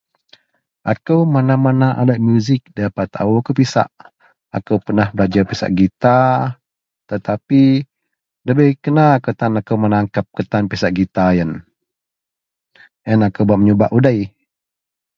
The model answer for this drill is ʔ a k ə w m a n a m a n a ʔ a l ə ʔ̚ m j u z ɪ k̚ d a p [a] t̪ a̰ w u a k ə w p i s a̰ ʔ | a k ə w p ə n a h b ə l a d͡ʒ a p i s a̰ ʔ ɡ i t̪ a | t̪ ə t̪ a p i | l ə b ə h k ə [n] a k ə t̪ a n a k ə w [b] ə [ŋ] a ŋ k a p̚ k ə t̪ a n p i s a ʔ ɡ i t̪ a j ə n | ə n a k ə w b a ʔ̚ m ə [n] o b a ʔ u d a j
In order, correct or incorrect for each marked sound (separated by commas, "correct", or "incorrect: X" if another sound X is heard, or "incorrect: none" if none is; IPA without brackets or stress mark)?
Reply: correct, correct, incorrect: m, incorrect: n, incorrect: ɲ